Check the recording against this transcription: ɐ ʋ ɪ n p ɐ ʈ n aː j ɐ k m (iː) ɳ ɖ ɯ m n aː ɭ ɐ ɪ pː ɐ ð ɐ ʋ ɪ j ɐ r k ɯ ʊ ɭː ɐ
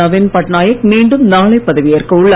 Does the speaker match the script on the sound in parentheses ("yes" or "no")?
yes